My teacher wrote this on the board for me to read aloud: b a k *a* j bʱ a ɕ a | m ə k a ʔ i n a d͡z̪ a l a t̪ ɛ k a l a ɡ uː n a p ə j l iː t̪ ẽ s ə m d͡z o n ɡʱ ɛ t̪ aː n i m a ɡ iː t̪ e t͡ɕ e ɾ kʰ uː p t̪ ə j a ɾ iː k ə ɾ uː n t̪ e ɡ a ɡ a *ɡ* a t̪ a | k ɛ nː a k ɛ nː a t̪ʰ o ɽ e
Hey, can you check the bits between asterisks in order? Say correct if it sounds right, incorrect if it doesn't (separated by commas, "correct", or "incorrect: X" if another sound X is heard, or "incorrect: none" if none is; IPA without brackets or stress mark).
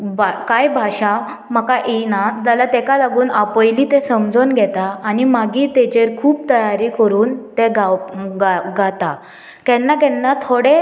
correct, correct